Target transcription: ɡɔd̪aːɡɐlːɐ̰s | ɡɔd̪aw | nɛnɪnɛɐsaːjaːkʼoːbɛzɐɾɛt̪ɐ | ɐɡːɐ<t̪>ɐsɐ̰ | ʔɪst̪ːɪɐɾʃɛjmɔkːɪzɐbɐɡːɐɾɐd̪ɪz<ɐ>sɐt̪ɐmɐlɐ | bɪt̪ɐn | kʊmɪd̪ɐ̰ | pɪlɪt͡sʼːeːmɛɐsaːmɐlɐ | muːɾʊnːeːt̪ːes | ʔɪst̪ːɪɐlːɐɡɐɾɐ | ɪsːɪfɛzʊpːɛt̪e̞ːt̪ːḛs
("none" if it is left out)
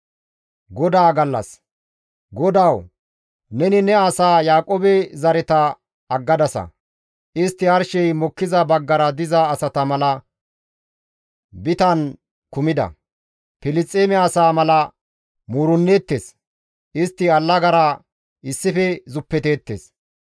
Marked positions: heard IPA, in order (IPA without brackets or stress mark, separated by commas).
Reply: d̪, ɐː